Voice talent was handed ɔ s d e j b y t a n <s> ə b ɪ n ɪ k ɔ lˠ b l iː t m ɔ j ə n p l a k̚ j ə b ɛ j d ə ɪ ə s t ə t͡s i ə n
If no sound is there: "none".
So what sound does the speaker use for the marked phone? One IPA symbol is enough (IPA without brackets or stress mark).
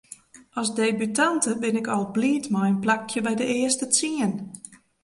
t